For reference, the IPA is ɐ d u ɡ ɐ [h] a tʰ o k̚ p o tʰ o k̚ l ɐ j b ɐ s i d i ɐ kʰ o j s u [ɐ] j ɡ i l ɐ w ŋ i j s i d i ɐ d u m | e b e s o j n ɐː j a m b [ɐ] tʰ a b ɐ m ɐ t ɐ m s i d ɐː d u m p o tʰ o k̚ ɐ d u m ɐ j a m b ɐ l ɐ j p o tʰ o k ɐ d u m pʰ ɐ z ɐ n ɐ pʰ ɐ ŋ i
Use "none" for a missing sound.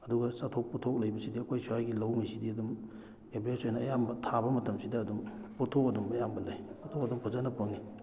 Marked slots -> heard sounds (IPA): s, a, ɐ

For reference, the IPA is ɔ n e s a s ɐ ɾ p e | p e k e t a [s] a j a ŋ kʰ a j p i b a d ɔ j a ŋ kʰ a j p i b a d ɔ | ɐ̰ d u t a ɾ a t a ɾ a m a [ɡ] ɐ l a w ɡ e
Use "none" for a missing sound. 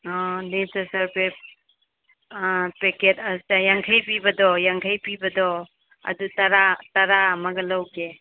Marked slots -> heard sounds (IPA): s, ɡ

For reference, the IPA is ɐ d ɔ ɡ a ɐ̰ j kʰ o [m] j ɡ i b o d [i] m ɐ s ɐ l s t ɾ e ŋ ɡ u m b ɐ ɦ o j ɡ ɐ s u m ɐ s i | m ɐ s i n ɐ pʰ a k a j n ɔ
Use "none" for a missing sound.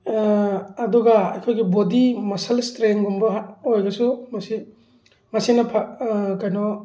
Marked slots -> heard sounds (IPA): none, i

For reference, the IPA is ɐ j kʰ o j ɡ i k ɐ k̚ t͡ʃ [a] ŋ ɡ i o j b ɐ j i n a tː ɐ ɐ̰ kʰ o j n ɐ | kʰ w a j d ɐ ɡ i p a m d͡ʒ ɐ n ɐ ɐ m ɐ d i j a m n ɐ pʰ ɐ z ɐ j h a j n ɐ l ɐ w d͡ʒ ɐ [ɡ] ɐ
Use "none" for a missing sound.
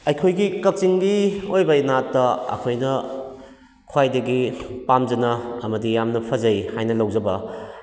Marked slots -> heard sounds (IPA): i, b

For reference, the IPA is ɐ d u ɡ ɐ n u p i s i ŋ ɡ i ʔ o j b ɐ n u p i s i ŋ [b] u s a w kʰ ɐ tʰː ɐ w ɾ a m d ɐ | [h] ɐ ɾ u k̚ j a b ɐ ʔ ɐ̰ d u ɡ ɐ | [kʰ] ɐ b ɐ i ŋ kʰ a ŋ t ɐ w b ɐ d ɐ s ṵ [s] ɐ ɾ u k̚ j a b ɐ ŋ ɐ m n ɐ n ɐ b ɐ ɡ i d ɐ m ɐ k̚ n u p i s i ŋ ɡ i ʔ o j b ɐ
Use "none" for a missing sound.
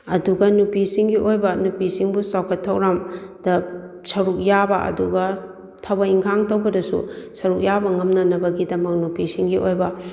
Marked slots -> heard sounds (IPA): b, s, tʰ, s

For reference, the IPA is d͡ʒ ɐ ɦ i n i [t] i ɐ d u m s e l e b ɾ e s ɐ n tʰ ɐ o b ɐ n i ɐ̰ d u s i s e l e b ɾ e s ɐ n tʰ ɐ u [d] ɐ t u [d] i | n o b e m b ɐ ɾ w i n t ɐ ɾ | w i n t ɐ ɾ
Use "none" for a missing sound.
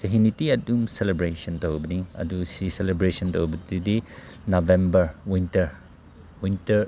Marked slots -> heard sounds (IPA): t, b, d

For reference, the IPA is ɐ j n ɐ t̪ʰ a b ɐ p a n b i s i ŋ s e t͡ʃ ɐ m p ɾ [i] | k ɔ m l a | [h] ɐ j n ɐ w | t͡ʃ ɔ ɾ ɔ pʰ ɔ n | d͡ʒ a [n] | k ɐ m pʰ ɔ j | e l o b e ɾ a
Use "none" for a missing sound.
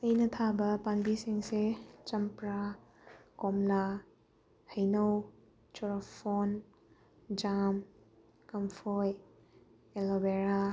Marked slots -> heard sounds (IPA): a, h, m

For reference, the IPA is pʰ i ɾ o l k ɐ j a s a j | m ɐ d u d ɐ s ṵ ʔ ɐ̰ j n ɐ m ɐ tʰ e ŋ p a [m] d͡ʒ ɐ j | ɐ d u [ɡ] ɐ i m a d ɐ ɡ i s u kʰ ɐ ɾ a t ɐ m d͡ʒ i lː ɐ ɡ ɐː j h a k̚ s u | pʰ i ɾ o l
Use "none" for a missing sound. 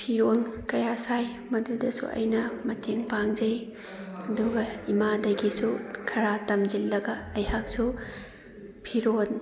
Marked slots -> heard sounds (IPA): ŋ, ɡ

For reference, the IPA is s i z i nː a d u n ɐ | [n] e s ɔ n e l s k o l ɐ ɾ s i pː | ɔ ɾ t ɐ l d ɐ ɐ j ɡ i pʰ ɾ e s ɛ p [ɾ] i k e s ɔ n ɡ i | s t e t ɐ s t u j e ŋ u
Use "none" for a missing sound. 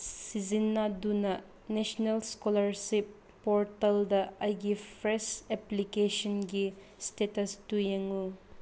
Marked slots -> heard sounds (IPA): n, l

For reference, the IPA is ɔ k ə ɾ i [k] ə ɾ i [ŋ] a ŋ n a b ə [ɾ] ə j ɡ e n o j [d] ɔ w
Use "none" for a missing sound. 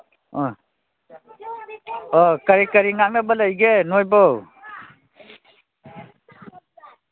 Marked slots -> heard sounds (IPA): k, ŋ, l, b

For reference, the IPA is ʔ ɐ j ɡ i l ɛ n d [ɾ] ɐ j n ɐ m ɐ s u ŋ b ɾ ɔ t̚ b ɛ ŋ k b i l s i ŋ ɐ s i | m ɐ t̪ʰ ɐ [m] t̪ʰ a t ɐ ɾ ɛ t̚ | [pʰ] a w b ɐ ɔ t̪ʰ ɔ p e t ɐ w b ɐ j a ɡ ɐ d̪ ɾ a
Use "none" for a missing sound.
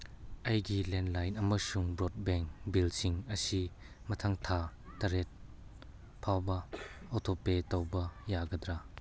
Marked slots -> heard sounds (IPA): l, ŋ, pʰ

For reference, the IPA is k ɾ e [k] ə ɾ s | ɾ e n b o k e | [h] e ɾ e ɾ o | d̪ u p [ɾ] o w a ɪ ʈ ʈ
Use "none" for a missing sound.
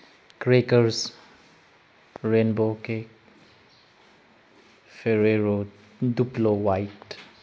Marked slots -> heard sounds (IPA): k, f, l

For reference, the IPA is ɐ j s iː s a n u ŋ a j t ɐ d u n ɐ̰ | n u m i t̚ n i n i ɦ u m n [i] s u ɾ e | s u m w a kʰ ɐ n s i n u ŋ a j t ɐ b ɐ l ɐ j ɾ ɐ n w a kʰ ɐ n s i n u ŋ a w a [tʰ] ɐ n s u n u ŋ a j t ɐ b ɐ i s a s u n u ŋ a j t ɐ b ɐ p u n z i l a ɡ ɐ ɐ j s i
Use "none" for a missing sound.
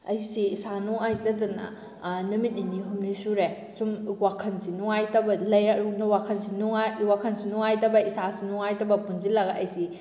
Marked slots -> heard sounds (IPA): i, kʰ

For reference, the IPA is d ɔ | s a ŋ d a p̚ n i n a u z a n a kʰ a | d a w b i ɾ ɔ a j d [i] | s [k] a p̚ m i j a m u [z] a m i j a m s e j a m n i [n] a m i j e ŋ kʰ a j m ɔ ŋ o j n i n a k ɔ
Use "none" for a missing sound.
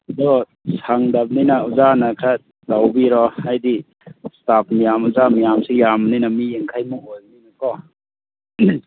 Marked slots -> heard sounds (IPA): i, t, z, n

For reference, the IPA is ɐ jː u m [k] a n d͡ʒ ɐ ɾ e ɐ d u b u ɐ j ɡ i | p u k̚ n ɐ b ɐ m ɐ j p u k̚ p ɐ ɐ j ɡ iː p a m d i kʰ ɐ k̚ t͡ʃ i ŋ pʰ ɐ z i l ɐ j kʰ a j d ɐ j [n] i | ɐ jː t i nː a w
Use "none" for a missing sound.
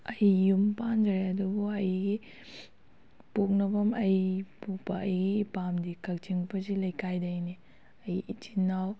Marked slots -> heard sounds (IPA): p, n

